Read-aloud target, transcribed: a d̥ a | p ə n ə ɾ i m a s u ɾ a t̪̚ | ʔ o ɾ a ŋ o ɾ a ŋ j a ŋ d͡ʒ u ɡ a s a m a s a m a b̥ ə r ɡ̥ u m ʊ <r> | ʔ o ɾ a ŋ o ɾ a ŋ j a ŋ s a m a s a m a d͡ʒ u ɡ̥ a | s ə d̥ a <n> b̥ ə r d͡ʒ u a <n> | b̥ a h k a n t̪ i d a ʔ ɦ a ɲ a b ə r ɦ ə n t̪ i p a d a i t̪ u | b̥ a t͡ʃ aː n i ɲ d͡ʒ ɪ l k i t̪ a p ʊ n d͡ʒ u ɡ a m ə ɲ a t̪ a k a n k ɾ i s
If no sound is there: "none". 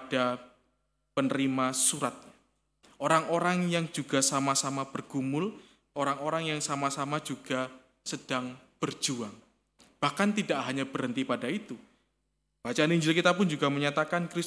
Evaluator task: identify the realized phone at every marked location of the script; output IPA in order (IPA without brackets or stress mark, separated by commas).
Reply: l, ŋ, ŋ